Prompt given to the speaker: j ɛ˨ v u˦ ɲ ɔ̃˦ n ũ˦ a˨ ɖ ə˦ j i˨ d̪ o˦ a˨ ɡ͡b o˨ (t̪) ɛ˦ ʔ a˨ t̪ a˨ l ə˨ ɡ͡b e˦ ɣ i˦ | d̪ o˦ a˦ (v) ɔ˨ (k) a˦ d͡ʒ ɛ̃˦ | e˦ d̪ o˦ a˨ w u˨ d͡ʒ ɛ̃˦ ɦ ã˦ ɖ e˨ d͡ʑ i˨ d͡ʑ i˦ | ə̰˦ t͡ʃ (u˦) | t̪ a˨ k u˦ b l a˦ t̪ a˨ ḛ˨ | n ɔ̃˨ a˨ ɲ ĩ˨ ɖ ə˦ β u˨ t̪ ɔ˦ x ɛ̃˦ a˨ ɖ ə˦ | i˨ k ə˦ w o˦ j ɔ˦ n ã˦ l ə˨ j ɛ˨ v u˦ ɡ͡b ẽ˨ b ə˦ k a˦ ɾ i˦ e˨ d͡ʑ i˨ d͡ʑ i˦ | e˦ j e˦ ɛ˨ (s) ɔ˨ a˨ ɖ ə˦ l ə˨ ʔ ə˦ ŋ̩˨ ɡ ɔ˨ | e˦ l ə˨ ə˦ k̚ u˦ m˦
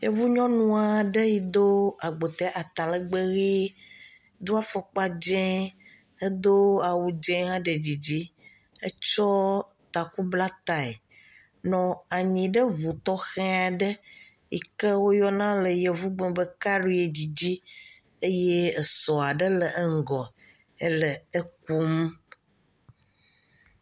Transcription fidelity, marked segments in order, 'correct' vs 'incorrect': correct, incorrect: f, incorrect: k͡p, incorrect: ɔ˦, correct

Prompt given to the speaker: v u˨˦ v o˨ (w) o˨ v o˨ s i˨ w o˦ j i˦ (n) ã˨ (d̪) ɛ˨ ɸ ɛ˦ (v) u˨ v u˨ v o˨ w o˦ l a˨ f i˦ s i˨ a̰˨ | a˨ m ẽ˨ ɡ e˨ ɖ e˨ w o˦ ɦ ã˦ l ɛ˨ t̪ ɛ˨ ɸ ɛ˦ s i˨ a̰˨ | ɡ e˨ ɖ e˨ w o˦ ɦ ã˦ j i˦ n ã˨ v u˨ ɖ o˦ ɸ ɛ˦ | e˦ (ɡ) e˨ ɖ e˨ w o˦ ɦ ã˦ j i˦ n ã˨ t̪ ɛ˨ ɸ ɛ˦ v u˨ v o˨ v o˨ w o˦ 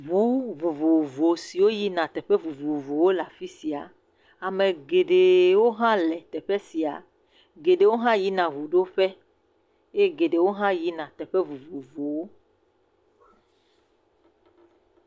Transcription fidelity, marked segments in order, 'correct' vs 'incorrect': incorrect: v, correct, incorrect: t̪, correct, correct

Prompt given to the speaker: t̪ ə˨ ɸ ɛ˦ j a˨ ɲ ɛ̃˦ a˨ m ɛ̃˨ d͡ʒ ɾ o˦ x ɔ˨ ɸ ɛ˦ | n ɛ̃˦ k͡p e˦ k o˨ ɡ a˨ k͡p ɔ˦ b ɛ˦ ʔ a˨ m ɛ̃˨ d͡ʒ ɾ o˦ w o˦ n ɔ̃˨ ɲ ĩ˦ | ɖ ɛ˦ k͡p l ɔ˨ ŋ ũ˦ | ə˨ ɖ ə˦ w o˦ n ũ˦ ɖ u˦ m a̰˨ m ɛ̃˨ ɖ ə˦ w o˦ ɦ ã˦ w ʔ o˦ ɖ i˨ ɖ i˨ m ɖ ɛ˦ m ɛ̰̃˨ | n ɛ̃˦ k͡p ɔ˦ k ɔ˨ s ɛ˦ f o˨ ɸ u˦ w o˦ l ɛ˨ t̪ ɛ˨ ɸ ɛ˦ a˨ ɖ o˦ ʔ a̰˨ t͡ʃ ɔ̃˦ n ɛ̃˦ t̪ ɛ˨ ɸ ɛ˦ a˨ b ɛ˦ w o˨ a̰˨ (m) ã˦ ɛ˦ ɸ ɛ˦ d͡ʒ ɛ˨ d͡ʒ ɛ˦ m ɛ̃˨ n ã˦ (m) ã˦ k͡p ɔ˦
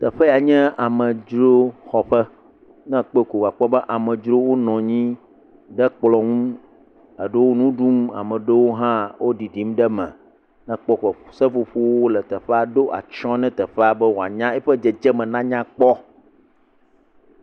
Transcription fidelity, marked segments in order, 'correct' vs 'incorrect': incorrect: ɲ, incorrect: ɲ

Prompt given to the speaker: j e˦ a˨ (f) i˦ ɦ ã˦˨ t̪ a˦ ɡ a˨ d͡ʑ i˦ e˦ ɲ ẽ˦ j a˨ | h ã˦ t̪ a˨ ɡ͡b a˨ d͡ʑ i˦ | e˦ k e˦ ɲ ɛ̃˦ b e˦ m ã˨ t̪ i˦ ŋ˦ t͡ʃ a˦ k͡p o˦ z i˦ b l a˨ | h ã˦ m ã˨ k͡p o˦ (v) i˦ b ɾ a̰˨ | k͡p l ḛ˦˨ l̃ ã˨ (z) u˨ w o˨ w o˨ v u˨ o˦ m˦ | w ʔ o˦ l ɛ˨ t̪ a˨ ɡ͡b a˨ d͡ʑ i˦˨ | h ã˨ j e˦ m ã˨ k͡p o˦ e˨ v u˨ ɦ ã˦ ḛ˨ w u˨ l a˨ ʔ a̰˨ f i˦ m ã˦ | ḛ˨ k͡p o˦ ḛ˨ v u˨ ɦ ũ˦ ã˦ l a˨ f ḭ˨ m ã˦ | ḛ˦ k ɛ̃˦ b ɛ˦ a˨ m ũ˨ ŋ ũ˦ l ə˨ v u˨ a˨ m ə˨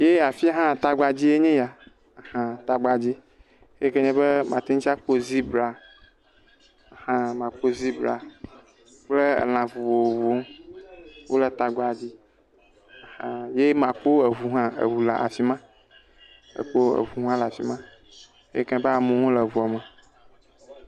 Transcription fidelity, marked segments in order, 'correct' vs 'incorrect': correct, incorrect: z, incorrect: v

